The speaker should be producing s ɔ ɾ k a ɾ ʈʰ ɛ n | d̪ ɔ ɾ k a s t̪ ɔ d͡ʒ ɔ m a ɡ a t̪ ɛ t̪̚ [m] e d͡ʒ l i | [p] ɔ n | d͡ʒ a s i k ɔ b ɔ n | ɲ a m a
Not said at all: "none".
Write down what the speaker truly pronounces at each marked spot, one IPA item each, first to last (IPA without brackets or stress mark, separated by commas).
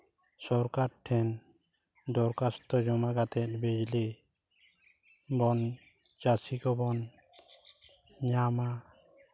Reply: b, b